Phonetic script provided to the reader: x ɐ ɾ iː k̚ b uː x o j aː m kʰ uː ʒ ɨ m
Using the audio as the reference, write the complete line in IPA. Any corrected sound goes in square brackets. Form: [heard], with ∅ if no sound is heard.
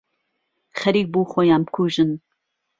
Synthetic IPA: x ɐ ɾ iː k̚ b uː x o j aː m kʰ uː ʒ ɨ [n]